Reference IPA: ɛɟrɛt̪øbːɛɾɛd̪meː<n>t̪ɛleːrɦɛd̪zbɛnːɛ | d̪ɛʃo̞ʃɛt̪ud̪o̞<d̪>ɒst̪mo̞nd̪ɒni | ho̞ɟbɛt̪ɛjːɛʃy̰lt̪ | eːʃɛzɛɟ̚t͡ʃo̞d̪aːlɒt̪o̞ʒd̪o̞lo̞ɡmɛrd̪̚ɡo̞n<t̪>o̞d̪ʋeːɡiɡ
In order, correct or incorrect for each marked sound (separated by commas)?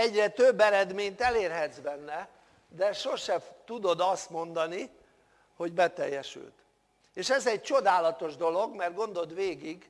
incorrect, correct, incorrect